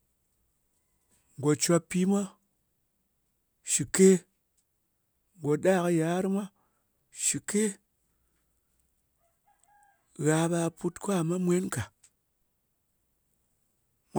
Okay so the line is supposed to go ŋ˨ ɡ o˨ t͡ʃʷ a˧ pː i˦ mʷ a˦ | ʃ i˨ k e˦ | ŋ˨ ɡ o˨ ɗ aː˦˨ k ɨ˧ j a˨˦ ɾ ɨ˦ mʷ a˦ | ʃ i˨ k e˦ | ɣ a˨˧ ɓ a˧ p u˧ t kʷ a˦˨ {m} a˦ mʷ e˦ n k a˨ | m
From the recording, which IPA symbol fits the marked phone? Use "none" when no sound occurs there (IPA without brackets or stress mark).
m